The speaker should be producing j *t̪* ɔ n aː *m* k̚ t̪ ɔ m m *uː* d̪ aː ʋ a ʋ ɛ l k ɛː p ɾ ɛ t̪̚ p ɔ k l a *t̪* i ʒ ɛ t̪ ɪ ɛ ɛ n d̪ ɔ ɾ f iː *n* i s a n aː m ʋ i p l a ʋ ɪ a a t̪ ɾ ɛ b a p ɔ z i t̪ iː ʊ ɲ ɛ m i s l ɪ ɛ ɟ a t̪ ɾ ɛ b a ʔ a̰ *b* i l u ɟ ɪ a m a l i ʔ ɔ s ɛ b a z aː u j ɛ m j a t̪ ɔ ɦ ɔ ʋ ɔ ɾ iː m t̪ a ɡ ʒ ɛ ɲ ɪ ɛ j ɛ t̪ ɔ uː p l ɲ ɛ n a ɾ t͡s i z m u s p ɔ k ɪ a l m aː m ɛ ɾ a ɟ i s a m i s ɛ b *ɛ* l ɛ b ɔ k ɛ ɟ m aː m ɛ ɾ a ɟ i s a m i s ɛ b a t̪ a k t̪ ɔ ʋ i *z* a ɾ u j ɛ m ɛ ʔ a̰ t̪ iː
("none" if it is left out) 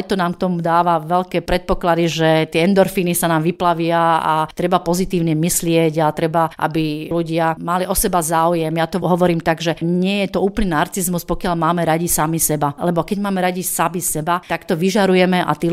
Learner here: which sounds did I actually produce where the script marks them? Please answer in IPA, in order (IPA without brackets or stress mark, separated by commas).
t̪, m, u, d̪, n, b, a, ʒ